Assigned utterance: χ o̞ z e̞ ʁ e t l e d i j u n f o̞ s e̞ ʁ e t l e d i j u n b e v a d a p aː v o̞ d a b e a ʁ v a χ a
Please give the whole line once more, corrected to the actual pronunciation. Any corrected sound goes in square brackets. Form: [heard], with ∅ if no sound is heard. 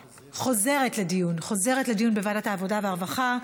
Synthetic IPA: χ o̞ z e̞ ʁ e t l e d i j u n [χ] o̞ [z] e̞ ʁ e t l e d i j u n b e v a d a [t] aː v o̞ d a [v] e a ʁ v a χ a